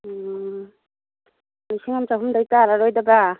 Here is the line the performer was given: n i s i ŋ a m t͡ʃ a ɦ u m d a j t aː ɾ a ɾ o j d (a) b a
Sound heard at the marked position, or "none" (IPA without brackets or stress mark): a